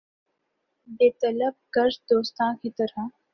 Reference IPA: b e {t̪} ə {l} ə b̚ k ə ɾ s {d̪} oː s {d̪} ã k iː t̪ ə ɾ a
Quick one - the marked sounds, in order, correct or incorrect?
correct, correct, correct, incorrect: t̪

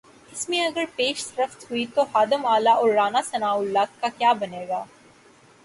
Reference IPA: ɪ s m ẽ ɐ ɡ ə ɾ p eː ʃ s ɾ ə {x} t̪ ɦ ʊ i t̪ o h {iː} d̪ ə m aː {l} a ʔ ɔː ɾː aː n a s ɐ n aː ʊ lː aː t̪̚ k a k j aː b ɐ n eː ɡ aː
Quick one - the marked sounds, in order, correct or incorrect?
incorrect: f, incorrect: aː, correct

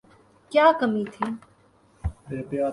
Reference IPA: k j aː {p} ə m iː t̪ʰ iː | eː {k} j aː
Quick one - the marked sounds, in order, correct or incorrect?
incorrect: k, incorrect: p

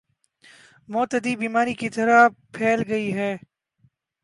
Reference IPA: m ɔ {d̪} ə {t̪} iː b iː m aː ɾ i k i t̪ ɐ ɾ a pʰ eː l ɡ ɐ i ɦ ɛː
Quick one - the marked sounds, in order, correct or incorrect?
incorrect: t̪, incorrect: d̪

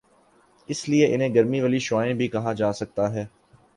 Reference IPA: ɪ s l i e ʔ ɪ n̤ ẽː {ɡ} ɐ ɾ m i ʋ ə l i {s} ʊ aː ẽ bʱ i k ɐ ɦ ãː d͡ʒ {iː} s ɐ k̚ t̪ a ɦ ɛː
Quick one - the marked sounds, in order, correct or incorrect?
correct, incorrect: ʃ, incorrect: aː

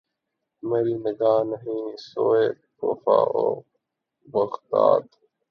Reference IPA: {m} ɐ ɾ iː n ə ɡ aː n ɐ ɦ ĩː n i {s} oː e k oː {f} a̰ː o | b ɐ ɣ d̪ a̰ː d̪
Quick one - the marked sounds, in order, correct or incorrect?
correct, correct, correct

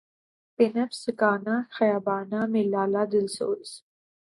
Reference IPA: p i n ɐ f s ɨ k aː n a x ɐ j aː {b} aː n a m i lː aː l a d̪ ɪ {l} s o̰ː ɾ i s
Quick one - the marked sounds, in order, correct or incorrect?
correct, correct

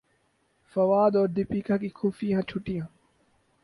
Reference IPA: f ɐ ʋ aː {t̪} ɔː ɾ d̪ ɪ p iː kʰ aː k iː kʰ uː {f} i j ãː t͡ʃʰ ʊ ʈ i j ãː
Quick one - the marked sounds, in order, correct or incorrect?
incorrect: d̪, correct

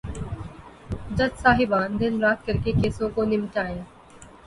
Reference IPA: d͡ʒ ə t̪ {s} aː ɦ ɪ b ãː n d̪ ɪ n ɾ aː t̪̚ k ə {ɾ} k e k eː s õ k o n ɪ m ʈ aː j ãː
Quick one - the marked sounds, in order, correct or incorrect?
correct, correct

